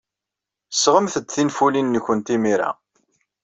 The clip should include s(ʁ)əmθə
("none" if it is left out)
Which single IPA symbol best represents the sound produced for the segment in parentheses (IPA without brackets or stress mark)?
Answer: ʁ